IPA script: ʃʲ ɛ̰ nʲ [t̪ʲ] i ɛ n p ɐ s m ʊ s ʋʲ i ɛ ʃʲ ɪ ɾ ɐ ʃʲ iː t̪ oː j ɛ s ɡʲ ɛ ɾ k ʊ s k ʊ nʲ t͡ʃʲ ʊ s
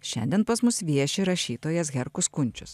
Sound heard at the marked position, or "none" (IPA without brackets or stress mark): d̪ʲ